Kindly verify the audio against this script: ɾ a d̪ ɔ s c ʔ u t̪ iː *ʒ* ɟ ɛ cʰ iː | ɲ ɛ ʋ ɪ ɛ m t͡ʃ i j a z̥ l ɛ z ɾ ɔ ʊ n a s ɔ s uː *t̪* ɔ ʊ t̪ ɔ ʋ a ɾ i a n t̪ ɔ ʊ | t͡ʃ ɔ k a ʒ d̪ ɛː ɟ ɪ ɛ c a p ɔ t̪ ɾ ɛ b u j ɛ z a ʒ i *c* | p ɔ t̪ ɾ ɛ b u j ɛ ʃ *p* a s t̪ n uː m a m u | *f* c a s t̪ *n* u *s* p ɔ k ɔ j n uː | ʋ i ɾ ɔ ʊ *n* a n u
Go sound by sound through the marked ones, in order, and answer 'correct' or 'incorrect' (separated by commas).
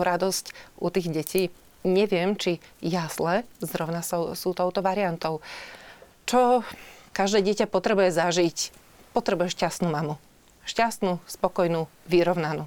incorrect, correct, correct, incorrect, incorrect, correct, correct, correct